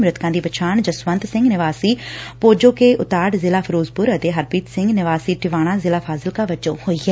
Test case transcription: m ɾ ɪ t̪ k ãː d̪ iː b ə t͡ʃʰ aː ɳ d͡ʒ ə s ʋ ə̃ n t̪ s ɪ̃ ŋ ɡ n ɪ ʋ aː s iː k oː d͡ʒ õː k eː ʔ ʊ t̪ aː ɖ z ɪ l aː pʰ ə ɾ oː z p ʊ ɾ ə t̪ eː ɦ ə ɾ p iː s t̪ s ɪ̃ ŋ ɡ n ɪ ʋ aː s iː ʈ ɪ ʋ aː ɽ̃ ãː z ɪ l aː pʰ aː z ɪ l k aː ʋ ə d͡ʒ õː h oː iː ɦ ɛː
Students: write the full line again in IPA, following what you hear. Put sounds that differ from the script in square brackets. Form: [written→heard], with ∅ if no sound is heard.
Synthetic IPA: m ɾ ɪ t̪ k ãː d̪ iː b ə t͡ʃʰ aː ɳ d͡ʒ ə s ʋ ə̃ n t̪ s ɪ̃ ŋ ɡ n ɪ ʋ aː s iː [k→p] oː d͡ʒ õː k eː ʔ ʊ t̪ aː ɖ z ɪ l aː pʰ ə ɾ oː z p ʊ ɾ ə t̪ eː ɦ ə ɾ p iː [s→∅] t̪ s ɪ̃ ŋ ɡ n ɪ ʋ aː s iː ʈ ɪ ʋ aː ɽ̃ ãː z ɪ l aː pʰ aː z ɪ l k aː ʋ ə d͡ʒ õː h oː iː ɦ ɛː